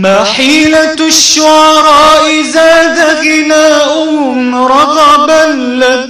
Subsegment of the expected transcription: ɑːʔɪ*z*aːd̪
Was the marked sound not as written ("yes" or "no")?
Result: no